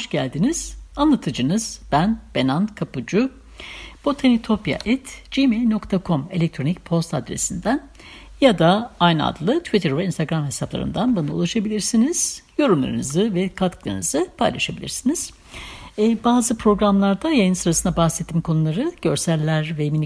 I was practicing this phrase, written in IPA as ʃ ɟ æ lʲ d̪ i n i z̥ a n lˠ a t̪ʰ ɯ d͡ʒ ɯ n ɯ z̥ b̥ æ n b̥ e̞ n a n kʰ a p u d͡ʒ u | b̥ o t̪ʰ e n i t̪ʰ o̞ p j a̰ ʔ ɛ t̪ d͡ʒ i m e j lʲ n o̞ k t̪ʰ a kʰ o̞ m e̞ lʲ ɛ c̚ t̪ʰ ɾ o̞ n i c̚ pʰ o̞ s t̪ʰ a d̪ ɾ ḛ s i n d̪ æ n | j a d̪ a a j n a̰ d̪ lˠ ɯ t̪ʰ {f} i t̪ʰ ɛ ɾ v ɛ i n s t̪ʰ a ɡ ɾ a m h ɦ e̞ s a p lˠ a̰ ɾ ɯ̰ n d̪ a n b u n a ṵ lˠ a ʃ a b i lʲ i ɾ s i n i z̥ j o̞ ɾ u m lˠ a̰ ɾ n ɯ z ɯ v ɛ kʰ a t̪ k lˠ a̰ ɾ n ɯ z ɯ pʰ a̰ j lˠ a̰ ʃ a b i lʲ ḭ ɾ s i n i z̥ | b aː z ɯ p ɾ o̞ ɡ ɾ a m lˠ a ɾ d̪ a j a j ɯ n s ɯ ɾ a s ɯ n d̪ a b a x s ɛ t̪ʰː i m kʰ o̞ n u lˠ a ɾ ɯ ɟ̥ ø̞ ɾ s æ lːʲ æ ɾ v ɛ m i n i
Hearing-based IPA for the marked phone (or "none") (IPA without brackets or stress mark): v